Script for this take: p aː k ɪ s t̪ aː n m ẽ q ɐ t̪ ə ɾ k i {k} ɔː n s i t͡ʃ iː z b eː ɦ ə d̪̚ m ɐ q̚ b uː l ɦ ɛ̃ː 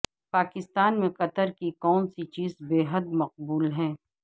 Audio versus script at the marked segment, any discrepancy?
no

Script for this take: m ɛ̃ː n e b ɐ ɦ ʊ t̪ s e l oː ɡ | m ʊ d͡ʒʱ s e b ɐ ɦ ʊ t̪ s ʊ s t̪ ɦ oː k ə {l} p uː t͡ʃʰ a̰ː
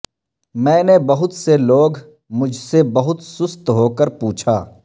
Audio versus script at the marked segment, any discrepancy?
yes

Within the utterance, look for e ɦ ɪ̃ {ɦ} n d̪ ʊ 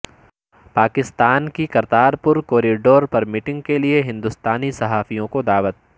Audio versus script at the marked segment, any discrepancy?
yes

